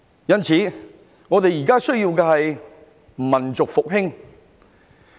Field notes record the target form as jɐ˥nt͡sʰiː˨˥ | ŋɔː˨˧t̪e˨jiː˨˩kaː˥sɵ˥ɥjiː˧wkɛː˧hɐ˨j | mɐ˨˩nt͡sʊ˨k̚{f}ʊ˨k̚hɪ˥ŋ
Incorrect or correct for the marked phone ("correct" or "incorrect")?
correct